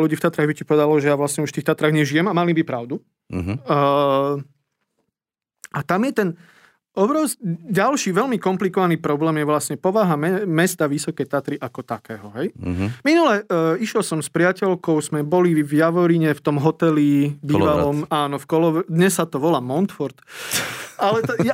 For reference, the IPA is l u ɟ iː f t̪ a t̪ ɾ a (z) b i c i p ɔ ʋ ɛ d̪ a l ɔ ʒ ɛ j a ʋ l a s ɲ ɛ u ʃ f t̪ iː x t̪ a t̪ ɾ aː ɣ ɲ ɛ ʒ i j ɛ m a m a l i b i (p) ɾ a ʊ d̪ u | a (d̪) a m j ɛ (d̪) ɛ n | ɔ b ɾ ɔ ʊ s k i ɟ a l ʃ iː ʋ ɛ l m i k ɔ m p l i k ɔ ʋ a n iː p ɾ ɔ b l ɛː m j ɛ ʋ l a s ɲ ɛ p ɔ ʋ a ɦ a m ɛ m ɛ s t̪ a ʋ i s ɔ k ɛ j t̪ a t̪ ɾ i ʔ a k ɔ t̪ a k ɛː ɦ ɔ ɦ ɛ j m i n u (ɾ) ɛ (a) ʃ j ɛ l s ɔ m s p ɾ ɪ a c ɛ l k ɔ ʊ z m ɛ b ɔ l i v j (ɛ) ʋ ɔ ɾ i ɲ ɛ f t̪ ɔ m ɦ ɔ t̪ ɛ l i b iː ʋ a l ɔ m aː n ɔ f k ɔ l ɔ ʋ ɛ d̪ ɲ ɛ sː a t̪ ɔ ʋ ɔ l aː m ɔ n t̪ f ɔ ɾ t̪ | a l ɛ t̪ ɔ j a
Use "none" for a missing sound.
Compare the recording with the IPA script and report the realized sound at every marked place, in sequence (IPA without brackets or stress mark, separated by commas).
ɣ, p, t̪, t̪, l, i, a